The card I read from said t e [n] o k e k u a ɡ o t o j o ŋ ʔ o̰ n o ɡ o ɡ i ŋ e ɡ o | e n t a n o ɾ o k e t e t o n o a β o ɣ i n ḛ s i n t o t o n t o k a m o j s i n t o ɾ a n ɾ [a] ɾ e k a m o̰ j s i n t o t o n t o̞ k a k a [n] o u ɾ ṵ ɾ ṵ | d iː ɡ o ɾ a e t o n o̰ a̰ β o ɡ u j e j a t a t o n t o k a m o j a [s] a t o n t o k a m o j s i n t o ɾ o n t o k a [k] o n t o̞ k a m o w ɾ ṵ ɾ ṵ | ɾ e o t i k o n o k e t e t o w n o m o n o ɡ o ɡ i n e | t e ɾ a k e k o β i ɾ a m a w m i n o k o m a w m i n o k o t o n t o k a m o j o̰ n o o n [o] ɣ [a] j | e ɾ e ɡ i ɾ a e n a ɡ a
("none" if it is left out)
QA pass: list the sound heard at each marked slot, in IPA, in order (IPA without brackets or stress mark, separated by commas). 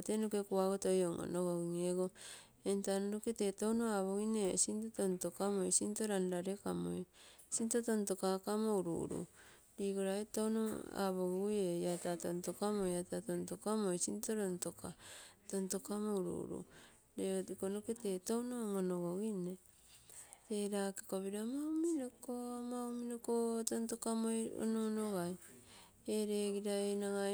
n, a, m, t, t, o, a